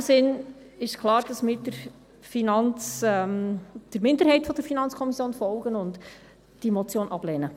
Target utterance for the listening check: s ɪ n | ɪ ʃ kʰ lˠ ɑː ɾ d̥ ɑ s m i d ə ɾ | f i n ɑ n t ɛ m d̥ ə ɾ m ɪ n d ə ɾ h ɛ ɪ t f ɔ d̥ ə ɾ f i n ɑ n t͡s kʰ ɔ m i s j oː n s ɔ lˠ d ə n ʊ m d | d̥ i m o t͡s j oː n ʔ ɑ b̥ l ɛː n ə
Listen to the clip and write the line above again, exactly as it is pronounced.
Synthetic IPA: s ɪ n | ɪ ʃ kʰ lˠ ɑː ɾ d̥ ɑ s m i d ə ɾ | f i n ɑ n t͡s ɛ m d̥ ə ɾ m ɪ n d ə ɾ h ɛ ɪ t f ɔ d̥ ə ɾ f i n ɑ n t͡s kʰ ɔ m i s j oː n f ɔ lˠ ɡ ə n ʊ n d | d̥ i m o t͡s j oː n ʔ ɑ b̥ l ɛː n ə